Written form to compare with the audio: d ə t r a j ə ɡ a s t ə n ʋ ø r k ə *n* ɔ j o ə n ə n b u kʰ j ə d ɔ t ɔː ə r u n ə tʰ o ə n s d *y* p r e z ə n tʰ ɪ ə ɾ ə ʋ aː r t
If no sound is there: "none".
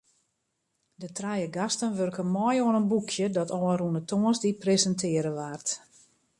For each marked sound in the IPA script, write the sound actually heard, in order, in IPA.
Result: m, i

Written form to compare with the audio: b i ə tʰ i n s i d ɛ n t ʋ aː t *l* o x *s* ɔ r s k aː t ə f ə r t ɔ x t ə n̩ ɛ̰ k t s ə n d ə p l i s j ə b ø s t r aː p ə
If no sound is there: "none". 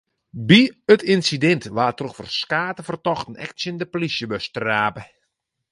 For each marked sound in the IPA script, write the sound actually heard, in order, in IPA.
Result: r, f

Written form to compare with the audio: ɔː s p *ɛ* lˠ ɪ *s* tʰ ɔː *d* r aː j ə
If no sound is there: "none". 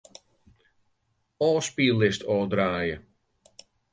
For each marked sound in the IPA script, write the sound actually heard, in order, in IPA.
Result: i, s, d

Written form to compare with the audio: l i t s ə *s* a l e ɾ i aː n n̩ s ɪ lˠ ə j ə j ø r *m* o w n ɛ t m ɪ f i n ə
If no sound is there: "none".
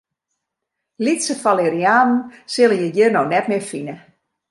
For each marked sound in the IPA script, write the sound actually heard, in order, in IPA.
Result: f, n

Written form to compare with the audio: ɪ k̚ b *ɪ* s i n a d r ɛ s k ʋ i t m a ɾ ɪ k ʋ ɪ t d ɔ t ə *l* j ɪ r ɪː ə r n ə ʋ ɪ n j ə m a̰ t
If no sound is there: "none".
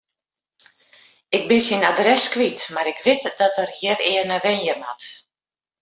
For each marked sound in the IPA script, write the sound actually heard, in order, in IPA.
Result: ɪ, r

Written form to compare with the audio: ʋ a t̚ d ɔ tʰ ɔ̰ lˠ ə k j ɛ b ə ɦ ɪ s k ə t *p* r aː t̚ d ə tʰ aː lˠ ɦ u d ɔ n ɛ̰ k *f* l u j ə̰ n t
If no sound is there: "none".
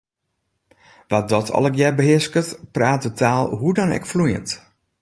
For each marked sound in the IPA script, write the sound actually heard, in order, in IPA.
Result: p, f

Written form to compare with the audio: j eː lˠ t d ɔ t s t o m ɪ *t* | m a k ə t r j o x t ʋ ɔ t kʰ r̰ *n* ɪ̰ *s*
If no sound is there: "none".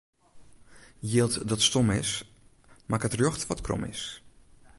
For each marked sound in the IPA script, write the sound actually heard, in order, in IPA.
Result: s, m, s

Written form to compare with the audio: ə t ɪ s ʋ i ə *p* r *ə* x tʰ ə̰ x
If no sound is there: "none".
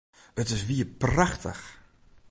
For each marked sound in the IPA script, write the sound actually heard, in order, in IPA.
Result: p, a

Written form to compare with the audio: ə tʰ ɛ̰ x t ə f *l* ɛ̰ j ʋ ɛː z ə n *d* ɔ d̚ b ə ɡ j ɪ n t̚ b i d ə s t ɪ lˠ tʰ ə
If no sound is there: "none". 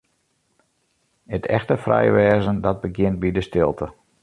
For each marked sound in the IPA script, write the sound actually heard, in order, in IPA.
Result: r, d

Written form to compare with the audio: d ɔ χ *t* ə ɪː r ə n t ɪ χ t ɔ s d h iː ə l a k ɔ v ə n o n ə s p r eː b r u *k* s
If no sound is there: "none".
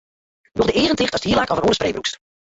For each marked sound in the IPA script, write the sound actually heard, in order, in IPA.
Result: d, k

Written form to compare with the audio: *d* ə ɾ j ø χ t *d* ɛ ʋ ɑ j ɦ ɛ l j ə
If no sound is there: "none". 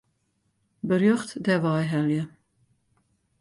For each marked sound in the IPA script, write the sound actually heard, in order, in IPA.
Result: b, d

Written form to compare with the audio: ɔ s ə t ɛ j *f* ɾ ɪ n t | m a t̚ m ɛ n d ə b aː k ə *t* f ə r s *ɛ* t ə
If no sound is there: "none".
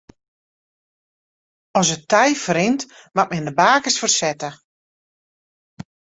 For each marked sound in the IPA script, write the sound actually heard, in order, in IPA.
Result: f, s, ɛ

